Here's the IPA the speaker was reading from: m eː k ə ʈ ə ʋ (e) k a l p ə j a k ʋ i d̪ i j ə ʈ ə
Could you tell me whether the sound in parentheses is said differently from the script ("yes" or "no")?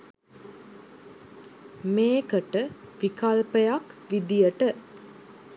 yes